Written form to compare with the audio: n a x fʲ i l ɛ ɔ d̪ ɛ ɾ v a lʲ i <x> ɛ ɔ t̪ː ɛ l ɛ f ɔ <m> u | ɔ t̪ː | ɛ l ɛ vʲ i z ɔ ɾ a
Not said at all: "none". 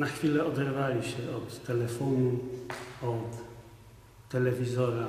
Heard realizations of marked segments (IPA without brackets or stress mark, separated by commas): ɕ, n